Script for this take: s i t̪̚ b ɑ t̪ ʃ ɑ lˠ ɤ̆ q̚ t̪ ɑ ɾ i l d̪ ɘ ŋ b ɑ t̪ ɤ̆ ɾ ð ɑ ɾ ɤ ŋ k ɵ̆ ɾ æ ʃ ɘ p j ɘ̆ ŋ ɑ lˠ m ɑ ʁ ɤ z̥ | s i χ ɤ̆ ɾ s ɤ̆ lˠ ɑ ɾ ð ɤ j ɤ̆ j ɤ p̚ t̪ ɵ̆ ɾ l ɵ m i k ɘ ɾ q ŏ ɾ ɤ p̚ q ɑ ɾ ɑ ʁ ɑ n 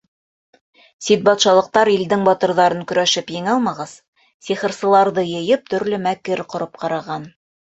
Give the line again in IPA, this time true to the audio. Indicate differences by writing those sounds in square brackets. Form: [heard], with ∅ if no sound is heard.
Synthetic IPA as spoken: s i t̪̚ b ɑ t̪ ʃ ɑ lˠ ɤ̆ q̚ t̪ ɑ ɾ i l d̪ ɘ ŋ b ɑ t̪ ɤ̆ ɾ ð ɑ ɾ ɤ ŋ k ɵ̆ ɾ æ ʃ ɘ p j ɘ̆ ŋ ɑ lˠ m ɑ ʁ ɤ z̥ | s i χ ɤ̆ ɾ s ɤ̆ lˠ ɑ ɾ ð ɤ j ɤ̆ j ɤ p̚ t̪ ɵ̆ ɾ l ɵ m [æ] k ɘ ɾ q ŏ ɾ ɤ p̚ q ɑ ɾ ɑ ʁ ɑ n